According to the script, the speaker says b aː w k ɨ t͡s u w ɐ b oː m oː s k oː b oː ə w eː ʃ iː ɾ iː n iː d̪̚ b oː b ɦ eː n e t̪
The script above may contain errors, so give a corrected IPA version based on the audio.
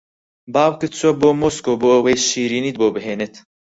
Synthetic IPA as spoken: b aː w k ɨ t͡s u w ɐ b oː m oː s k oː b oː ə w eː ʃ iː ɾ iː n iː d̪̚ b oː b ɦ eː n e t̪